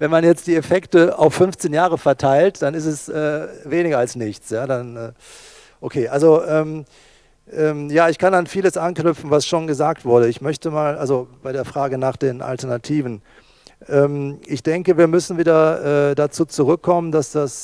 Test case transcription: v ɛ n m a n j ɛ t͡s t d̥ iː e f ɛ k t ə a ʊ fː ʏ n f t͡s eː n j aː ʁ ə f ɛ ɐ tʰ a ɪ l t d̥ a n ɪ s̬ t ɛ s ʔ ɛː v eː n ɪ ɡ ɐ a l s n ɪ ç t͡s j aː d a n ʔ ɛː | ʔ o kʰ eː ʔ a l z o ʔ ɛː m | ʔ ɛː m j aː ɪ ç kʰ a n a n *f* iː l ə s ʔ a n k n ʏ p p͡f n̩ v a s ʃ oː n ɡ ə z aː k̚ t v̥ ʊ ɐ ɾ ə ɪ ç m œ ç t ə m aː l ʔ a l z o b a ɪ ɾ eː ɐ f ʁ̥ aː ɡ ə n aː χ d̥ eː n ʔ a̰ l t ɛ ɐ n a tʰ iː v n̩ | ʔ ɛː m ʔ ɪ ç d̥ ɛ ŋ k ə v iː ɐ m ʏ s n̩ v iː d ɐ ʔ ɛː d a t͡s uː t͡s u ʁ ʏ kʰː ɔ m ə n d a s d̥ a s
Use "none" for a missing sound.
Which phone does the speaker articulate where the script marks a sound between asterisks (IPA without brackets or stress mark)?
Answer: f